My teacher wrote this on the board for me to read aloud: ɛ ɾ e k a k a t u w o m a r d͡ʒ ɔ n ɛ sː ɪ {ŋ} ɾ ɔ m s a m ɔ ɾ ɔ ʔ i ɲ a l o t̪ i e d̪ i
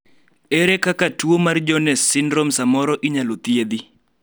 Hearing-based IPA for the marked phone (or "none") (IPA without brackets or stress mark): n